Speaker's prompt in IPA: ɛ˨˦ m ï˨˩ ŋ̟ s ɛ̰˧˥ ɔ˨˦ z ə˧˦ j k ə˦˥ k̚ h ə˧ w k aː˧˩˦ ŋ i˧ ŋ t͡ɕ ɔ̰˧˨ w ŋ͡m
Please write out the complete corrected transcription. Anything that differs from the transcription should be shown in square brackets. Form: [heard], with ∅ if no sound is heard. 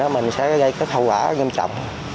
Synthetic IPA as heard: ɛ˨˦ m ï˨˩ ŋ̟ s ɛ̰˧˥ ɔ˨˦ [ɣ] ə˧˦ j k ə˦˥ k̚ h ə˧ w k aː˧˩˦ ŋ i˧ [m] t͡ɕ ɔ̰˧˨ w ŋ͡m